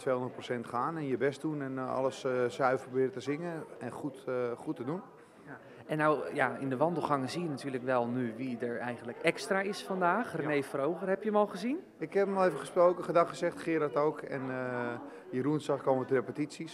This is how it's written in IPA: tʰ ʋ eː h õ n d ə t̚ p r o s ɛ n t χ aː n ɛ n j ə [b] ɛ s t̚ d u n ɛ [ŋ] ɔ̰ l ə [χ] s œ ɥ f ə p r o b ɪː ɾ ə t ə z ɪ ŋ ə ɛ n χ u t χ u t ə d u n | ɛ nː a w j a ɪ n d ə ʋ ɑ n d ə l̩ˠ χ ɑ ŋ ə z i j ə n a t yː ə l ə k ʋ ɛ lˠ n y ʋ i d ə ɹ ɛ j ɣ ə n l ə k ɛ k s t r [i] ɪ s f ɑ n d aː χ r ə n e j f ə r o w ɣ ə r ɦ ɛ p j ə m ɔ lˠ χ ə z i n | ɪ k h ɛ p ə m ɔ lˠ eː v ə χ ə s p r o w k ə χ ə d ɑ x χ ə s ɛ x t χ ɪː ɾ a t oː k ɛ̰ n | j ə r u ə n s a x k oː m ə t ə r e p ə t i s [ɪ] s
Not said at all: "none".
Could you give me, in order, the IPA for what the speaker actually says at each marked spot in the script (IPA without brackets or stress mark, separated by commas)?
b, n, s, a, i